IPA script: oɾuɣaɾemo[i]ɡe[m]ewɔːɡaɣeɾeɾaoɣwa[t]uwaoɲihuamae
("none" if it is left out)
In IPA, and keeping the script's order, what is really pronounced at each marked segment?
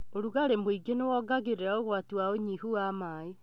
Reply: i, n, t

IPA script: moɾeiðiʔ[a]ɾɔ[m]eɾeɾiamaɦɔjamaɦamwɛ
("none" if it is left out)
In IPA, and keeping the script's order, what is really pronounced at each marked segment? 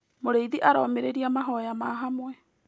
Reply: a, m

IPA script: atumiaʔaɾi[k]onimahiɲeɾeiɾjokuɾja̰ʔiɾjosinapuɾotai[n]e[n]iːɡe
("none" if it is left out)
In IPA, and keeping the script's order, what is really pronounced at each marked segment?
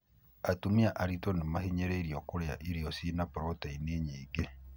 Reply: t, n, ɲ

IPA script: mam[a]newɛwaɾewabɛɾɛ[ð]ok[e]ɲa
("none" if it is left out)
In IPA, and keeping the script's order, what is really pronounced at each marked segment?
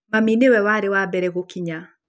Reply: i, ɣ, i

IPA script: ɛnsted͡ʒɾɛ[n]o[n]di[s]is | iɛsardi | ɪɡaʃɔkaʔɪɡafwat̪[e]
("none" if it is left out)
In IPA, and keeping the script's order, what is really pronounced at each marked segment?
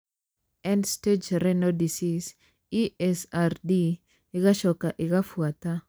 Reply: n, none, s, a

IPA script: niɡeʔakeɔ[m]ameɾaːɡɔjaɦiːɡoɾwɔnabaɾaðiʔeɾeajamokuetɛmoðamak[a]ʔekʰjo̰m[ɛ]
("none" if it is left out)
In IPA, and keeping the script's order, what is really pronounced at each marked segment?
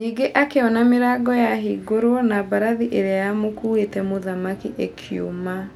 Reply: n, i, a

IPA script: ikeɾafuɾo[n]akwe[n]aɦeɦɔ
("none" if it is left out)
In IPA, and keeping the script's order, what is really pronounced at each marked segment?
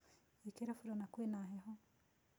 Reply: n, n

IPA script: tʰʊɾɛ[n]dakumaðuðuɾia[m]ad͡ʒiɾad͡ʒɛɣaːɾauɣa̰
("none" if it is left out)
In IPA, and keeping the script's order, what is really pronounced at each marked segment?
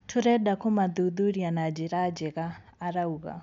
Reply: none, n

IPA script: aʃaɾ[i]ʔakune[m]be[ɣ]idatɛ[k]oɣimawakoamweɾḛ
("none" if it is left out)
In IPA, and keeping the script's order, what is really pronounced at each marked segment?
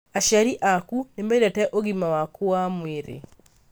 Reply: i, m, none, ʔ

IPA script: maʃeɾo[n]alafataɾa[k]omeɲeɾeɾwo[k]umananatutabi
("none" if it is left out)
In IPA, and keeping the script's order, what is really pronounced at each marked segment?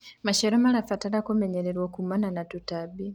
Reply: m, k, k

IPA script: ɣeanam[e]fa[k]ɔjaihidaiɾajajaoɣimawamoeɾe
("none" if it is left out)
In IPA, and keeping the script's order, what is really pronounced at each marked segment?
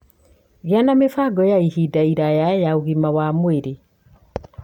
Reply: e, ɡ

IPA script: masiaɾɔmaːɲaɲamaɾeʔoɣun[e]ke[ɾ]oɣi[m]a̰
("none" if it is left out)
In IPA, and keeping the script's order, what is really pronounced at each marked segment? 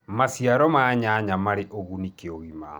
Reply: i, none, m

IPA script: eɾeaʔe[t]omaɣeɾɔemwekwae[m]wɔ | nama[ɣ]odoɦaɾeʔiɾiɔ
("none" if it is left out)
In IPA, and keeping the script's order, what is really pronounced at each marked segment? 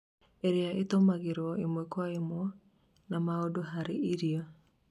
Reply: t, m, none

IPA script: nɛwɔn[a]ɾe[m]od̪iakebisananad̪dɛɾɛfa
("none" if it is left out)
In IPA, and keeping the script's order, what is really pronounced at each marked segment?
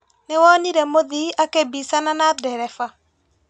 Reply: i, m

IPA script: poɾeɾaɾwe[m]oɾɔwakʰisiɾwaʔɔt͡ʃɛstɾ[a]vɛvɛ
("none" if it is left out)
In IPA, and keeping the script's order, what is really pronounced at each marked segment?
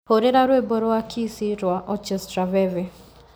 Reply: b, a

